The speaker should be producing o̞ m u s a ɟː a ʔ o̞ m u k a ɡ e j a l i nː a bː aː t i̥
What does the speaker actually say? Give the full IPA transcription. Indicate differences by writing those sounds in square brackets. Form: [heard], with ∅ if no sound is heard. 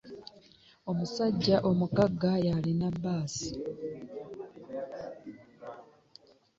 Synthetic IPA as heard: o̞ m u s a ɟː a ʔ o̞ m u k a ɡ [a] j a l i [n] a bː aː [s] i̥